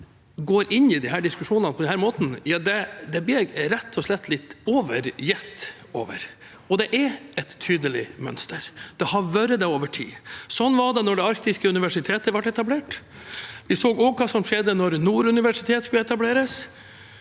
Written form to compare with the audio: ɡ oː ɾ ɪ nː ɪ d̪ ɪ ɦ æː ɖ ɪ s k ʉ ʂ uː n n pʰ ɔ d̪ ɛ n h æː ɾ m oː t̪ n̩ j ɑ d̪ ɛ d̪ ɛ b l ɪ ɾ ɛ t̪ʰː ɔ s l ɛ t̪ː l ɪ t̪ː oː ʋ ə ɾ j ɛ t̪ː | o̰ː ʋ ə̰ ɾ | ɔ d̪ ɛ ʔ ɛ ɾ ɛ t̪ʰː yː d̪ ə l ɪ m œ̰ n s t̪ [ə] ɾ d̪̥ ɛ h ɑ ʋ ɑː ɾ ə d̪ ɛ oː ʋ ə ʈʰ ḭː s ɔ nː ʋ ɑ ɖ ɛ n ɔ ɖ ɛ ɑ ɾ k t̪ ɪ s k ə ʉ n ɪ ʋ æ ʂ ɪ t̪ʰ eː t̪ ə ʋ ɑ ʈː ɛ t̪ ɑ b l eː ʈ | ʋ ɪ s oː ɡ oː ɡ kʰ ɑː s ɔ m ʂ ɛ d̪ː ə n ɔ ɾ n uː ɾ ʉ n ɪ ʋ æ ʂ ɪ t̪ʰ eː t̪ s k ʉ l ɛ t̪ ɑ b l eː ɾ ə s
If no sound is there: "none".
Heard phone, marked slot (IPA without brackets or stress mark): ə